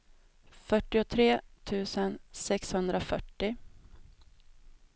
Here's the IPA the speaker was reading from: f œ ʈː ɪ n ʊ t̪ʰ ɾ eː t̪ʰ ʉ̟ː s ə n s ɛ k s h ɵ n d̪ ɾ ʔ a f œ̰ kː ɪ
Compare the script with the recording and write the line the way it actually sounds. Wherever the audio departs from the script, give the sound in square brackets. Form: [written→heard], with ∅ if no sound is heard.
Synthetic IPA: f œ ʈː ɪ [n→∅] ʊ t̪ʰ ɾ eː t̪ʰ ʉ̟ː s ə n s ɛ k s h ɵ n d̪ ɾ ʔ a f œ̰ [kː→ʈː] ɪ